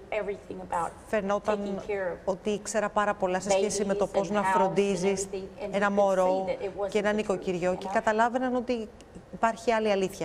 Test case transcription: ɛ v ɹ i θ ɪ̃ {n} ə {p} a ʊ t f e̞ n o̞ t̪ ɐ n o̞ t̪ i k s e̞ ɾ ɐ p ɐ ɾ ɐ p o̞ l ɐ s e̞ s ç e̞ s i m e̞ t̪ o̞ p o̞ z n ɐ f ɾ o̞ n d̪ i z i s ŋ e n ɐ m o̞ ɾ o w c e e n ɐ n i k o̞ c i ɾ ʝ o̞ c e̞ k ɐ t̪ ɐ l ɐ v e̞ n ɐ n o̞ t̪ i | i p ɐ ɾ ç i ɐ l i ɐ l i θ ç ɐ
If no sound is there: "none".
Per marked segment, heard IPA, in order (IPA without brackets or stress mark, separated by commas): ŋ, b